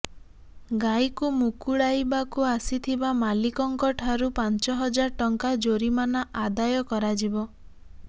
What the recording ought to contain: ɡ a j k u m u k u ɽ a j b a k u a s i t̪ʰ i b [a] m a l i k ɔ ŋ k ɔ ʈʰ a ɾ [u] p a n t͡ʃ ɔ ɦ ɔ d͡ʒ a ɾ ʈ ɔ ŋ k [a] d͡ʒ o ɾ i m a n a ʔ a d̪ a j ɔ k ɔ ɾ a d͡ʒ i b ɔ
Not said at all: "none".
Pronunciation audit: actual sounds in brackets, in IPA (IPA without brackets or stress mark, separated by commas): a, u, a